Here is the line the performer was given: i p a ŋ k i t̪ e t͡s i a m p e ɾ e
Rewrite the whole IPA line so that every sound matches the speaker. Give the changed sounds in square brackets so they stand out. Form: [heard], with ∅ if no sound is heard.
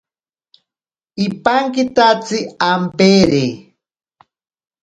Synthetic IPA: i p a ŋ k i t̪ [a] t͡s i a m p e ɾ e